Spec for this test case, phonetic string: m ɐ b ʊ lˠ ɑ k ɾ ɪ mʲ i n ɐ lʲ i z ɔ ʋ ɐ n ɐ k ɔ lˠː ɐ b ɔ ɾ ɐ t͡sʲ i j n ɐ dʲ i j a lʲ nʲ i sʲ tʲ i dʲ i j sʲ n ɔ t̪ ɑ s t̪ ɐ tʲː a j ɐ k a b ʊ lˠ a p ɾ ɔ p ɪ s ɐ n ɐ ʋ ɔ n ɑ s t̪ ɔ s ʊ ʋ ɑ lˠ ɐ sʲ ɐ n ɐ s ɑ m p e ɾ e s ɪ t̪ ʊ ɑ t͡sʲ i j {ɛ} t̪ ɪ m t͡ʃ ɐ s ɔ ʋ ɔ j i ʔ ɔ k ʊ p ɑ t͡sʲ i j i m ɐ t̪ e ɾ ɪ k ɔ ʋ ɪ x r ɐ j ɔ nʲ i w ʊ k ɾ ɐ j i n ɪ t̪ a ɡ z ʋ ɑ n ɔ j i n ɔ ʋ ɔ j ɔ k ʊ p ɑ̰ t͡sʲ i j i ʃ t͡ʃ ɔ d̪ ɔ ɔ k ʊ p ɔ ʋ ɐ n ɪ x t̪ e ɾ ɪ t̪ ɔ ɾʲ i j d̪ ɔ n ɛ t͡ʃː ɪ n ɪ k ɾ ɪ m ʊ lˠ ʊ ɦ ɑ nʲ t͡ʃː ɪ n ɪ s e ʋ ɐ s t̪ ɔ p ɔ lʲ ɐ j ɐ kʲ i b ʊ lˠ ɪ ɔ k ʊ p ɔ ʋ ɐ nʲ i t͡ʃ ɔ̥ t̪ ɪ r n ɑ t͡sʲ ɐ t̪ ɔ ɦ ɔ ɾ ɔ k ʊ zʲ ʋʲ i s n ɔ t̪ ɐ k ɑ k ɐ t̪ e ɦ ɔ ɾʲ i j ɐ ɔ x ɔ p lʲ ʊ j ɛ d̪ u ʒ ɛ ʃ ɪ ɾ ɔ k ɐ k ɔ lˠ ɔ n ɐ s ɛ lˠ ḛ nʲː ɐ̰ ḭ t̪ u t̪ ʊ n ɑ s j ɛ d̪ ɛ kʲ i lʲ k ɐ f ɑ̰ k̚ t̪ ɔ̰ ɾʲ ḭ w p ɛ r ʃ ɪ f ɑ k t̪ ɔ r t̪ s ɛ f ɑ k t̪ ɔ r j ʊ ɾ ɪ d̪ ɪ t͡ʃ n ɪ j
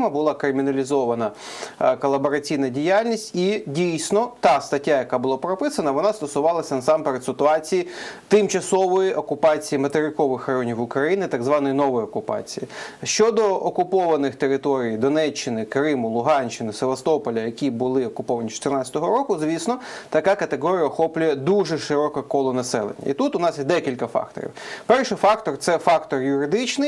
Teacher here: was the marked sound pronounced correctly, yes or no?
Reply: no